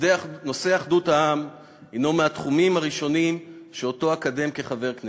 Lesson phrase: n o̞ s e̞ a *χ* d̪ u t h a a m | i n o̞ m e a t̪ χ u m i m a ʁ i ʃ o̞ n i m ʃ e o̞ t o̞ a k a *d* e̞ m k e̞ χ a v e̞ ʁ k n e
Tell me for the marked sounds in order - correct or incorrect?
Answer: correct, correct

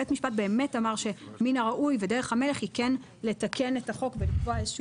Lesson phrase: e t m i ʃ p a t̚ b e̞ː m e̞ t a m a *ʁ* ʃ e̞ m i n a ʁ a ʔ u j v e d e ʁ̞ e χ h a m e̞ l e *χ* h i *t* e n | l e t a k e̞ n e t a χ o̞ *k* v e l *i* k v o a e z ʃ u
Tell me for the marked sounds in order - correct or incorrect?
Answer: correct, correct, incorrect: k, correct, correct

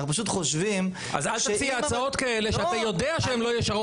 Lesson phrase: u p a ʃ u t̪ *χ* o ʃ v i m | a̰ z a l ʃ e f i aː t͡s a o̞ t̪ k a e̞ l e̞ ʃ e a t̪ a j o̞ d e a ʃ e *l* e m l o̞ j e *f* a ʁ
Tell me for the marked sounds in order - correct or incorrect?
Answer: correct, incorrect: none, incorrect: ʃ

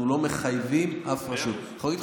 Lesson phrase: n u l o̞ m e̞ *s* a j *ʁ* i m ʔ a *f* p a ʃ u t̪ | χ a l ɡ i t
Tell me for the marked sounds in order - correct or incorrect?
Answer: incorrect: χ, incorrect: v, correct

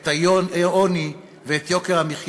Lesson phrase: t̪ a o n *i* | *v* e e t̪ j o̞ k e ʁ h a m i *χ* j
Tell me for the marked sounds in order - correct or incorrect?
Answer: correct, correct, correct

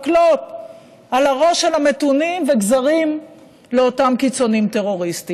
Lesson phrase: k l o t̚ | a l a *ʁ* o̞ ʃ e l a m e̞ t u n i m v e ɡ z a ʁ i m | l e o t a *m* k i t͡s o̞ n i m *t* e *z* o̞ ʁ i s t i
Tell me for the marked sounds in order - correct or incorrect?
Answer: correct, correct, correct, incorrect: ʁ

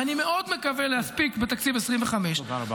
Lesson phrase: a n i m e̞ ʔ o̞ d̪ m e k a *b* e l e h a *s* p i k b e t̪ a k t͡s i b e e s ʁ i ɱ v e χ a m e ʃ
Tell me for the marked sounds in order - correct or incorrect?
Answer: incorrect: v, correct

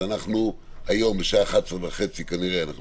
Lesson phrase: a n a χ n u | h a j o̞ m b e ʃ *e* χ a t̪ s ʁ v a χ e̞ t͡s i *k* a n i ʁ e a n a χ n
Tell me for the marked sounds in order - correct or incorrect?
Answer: incorrect: a, correct

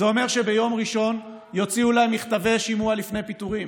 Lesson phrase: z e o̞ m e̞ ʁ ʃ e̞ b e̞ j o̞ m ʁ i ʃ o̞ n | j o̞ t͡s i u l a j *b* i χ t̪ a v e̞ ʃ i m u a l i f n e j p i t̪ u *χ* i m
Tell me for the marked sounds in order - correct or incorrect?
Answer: incorrect: m, incorrect: ʁ

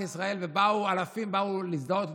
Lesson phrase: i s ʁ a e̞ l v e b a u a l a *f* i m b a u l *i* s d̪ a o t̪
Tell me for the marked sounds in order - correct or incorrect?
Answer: correct, correct

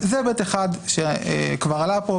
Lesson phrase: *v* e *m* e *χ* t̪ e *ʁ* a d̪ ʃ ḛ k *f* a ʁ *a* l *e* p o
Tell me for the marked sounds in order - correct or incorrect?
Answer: incorrect: z, incorrect: b, incorrect: none, incorrect: χ, incorrect: v, correct, incorrect: a

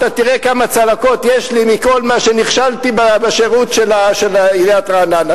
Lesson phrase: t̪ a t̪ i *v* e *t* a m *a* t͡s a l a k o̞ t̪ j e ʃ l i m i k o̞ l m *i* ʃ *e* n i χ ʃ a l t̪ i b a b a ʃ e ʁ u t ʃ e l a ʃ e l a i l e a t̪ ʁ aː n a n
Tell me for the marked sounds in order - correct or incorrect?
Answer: incorrect: ʁ, incorrect: k, correct, incorrect: a, correct

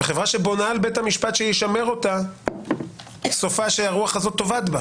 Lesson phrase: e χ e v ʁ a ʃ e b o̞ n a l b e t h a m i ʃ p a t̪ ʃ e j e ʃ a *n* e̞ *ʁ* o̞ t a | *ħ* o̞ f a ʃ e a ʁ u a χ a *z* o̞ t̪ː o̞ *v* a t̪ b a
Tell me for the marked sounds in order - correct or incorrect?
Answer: incorrect: m, correct, incorrect: s, correct, correct

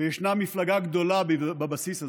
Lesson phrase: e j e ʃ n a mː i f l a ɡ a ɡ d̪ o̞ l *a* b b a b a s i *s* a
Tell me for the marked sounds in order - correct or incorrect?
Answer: correct, correct

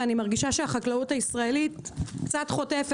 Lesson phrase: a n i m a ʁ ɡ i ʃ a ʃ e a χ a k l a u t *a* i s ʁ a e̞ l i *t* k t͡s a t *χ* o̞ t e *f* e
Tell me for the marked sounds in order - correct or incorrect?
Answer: correct, correct, correct, correct

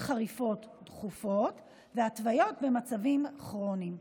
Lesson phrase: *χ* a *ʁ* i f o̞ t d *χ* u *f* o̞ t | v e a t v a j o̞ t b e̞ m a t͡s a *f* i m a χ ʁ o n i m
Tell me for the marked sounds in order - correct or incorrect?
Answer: correct, correct, correct, correct, incorrect: v

